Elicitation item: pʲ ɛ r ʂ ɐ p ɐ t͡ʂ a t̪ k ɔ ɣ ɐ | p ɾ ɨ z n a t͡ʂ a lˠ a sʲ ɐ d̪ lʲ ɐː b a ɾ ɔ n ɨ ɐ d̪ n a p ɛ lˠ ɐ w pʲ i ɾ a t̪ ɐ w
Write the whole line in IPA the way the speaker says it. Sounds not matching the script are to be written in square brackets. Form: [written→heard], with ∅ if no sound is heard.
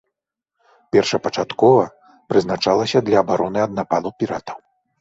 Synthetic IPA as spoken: pʲ ɛ r ʂ ɐ p ɐ t͡ʂ a t̪ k ɔ [ɣ→v] ɐ | p ɾ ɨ z n a t͡ʂ a lˠ [a→ɐ] sʲ ɐ d̪ lʲ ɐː b a ɾ ɔ n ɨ ɐ d̪ n a p [ɛ→a] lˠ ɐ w pʲ i ɾ a t̪ ɐ w